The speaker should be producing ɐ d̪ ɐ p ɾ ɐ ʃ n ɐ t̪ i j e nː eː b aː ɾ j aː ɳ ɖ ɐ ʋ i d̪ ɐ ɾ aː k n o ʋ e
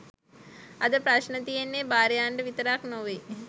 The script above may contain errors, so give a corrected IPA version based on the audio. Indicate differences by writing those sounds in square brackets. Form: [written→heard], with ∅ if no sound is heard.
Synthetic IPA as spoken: ɐ d̪ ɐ p ɾ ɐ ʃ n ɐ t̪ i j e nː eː b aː ɾ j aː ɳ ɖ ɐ ʋ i [d̪→t̪] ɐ ɾ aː k n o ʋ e